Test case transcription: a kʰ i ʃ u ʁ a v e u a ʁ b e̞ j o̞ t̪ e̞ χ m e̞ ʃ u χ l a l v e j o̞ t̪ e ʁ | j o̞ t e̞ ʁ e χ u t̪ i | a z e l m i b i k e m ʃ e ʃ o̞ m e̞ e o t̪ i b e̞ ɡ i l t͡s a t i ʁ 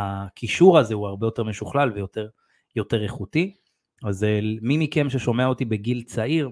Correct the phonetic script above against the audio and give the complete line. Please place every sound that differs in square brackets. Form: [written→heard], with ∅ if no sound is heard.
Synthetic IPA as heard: a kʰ i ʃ u ʁ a [v→z] e u a ʁ b e̞ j o̞ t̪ e̞ [χ→ʁ] m e̞ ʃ u χ l a l v e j o̞ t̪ e ʁ | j o̞ t e̞ ʁ e χ u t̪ i | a z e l m i [b→m] i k e m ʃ e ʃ o̞ m e̞ [e→a] o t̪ i b e̞ ɡ i l t͡s a [t→∅] i ʁ